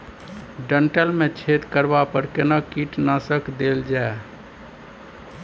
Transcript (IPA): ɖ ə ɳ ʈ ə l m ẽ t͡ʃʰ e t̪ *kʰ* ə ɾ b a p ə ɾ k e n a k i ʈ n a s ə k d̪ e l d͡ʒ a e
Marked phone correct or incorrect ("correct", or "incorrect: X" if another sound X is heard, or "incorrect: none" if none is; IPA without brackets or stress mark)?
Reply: incorrect: k